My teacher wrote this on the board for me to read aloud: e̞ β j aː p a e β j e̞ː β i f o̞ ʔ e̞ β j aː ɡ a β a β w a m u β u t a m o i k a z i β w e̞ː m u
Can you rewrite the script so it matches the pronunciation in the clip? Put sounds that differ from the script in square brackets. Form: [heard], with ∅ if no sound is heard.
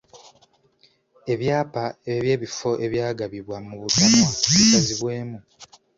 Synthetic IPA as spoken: e̞ β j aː p a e β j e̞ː β i f o̞ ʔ e̞ β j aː ɡ a β [i] β w a m u β u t a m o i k a z i β w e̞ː m u